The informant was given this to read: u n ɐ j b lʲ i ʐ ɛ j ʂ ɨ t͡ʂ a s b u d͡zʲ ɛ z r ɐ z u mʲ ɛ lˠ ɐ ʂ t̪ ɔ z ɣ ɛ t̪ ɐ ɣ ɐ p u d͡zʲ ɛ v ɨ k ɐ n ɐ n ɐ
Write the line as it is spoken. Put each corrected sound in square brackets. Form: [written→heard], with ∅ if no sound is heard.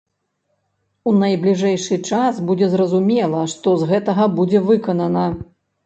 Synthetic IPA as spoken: u n ɐ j b lʲ i ʐ ɛ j ʂ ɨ t͡ʂ a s b u d͡zʲ ɛ z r ɐ z u mʲ ɛ lˠ ɐ ʂ t̪ ɔ z ɣ ɛ t̪ ɐ ɣ ɐ [p→b] u d͡zʲ ɛ v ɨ k ɐ n ɐ n ɐ

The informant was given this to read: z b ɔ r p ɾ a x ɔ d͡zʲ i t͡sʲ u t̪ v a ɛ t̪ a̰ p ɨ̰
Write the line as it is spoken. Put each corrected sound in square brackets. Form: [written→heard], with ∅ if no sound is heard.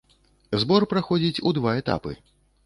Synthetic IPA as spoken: z b ɔ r p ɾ a x ɔ d͡zʲ i t͡sʲ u [t̪→d̪] v a ɛ t̪ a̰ p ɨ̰

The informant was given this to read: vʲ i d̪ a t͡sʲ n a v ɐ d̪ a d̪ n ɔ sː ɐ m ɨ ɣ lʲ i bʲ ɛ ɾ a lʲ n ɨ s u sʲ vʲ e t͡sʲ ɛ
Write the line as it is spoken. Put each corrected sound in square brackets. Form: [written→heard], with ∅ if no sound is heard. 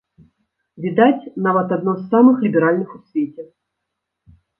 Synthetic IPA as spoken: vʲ i d̪ a t͡sʲ n a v ɐ [d̪→t̪] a d̪ n ɔ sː [ɐ→a] m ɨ [ɣ→x] lʲ i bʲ ɛ ɾ a lʲ n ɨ [s→x] u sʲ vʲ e t͡sʲ ɛ

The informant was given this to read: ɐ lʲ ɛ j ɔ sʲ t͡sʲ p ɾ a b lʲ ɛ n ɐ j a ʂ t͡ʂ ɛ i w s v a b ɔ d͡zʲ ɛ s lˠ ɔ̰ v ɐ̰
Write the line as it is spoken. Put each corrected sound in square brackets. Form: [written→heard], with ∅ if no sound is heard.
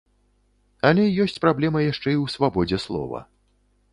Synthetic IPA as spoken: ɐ lʲ ɛ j ɔ sʲ t͡sʲ p ɾ a b lʲ ɛ [n→m] ɐ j a ʂ t͡ʂ ɛ i w s v a b ɔ d͡zʲ ɛ s lˠ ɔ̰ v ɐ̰

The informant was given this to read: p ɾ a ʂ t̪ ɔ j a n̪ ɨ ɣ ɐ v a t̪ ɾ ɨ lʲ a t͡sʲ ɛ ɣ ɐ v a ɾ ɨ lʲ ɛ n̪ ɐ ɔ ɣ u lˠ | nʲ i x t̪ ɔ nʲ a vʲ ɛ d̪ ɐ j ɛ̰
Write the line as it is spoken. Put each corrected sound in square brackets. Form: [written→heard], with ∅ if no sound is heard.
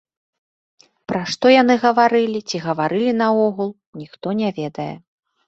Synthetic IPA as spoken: p ɾ a ʂ t̪ ɔ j a n̪ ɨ ɣ ɐ v a [t̪→∅] ɾ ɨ lʲ [a→i] t͡sʲ [ɛ→i] ɣ ɐ v a ɾ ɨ lʲ [ɛ→i] n̪ ɐ ɔ ɣ u lˠ | nʲ i x t̪ ɔ nʲ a vʲ ɛ d̪ ɐ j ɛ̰

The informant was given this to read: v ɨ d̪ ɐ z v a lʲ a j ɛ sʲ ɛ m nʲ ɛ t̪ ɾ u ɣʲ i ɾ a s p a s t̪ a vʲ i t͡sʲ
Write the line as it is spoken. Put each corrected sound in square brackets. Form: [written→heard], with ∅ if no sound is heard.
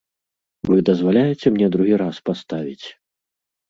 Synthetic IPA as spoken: v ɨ d̪ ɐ z v a lʲ a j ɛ [sʲ→t͡sʲ] ɛ m nʲ ɛ [t̪→d̪] ɾ u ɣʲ i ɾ a s p a s t̪ a vʲ i t͡sʲ

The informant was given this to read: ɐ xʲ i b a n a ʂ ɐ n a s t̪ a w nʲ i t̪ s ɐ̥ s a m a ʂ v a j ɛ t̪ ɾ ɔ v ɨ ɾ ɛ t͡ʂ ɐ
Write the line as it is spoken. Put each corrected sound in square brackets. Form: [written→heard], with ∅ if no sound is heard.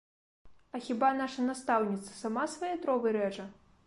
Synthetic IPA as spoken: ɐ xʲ i b a n a ʂ ɐ n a s t̪ a w nʲ i t̪ s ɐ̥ s a m a [ʂ→s] v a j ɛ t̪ ɾ ɔ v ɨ ɾ ɛ t͡ʂ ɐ

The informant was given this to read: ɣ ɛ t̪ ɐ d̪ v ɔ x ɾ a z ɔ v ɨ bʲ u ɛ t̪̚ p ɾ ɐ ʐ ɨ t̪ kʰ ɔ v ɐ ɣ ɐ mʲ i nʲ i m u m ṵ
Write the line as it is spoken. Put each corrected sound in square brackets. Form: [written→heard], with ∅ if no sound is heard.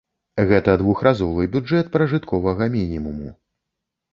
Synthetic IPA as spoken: ɣ ɛ t̪ ɐ d̪ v [ɔ→u] x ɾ a z ɔ v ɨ bʲ u ɛ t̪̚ p ɾ ɐ ʐ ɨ t̪ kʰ ɔ v ɐ ɣ ɐ mʲ i nʲ i m u m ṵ

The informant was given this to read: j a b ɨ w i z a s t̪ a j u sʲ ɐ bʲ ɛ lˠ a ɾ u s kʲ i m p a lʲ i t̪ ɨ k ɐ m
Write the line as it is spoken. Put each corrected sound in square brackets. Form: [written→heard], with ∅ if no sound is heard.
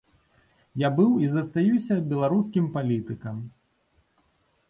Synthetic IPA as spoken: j a b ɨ w i z [a→ɐ] s t̪ a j u sʲ ɐ bʲ ɛ lˠ a ɾ u s kʲ i m p a lʲ i t̪ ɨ k ɐ m

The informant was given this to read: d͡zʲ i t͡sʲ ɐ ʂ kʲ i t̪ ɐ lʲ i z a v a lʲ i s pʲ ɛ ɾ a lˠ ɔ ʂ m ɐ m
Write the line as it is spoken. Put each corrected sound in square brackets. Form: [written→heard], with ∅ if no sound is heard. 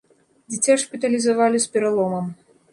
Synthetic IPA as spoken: d͡zʲ i t͡sʲ [ɐ→a] ʂ [kʲ→pʲ] i t̪ ɐ lʲ i z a v a lʲ i s pʲ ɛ ɾ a lˠ ɔ [ʂ→∅] m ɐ m

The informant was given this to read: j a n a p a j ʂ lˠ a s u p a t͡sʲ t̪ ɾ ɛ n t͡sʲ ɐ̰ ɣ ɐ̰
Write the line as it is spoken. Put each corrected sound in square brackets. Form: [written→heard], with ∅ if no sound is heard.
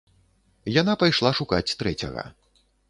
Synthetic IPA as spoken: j a n a p a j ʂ lˠ a [s→ʂ] u [p→k] a t͡sʲ t̪ ɾ ɛ [n→∅] t͡sʲ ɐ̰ ɣ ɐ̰

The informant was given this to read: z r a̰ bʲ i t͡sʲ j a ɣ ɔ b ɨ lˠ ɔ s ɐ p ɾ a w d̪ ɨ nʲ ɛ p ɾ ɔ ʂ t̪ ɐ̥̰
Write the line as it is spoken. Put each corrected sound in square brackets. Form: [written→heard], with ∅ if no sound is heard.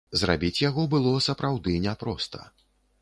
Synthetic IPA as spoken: z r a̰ bʲ i t͡sʲ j a ɣ ɔ b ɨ lˠ ɔ s ɐ p ɾ a w d̪ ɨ nʲ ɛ p ɾ ɔ [ʂ→s] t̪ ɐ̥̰

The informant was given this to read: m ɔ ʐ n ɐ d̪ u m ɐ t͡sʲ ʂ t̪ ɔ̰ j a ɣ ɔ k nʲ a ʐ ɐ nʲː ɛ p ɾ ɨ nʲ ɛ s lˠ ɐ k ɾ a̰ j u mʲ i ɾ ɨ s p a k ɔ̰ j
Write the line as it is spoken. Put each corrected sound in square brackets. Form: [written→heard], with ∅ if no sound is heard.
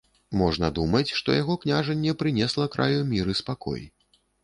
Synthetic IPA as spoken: m ɔ ʐ n ɐ d̪ u m ɐ t͡sʲ ʂ t̪ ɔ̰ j a ɣ ɔ k nʲ a ʐ ɐ nʲː ɛ p ɾ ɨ nʲ ɛ s lˠ ɐ k ɾ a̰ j u mʲ i ɾ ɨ s p a k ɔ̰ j

